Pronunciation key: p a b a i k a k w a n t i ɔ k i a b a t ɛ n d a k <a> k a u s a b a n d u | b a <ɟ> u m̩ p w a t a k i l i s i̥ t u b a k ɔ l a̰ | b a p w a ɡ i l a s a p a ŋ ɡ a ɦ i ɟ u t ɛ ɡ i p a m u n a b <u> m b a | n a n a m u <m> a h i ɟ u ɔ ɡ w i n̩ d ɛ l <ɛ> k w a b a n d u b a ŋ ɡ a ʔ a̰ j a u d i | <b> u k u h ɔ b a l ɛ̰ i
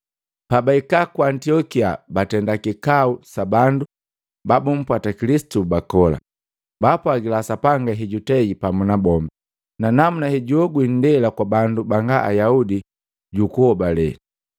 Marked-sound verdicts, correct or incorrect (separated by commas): incorrect, incorrect, incorrect, incorrect, incorrect, incorrect